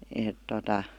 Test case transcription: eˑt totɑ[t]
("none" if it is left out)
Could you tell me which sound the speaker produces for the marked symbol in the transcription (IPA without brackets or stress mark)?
none